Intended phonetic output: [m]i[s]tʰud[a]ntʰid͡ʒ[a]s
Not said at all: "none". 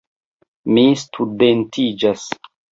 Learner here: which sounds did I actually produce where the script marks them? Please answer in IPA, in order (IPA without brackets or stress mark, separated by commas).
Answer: m, s, e, a